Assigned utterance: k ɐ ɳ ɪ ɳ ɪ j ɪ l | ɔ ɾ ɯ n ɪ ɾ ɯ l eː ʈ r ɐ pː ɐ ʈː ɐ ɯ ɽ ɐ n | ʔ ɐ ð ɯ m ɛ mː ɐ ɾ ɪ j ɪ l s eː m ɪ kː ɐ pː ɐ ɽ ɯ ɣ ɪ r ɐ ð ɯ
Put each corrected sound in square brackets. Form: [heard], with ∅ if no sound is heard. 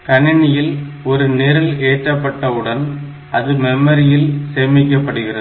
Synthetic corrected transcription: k ɐ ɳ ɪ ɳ ɪ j ɪ l | ɔ ɾ ɯ n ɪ ɾ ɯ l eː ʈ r ɐ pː ɐ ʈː ɐ ɯ ɽ ɐ n | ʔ ɐ ð ɯ m ɛ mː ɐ ɾ ɪ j ɪ l s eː m ɪ kː ɐ pː ɐ ɽ ɯ ɣ ɪ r ɐ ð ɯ